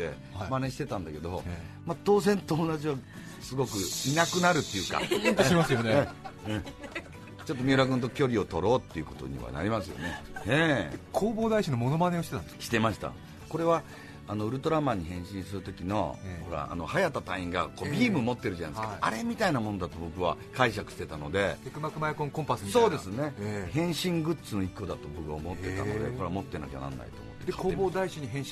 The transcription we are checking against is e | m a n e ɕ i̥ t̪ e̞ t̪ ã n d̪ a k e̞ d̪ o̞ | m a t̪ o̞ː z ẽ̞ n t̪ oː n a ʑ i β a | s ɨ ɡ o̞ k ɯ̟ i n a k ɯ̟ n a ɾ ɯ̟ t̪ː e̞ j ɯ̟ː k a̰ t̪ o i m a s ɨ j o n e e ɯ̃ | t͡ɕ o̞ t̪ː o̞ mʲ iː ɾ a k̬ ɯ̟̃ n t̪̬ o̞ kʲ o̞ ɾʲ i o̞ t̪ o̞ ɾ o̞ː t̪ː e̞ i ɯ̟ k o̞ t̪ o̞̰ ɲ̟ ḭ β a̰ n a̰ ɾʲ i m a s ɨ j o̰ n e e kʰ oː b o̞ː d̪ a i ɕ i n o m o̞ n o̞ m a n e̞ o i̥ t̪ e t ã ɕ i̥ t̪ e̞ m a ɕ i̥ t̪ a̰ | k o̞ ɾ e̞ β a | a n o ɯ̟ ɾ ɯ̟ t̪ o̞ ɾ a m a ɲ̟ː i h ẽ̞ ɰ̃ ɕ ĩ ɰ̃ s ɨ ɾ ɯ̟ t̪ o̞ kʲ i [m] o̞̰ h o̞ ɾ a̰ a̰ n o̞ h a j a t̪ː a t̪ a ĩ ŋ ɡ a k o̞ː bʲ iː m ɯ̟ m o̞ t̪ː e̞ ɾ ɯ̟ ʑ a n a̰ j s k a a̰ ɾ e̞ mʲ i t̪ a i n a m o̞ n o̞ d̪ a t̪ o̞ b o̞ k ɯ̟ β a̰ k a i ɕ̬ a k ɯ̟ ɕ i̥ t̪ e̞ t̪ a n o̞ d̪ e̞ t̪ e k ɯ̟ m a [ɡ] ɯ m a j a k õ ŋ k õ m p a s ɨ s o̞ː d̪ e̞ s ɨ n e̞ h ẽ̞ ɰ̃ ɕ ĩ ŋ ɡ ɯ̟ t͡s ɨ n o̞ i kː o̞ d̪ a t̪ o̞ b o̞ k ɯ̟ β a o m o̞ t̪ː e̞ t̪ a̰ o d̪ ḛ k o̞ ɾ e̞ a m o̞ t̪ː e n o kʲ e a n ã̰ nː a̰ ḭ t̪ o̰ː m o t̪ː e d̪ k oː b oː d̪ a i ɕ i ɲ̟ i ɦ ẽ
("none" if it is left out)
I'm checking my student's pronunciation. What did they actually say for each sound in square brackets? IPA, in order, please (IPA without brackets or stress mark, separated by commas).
n, k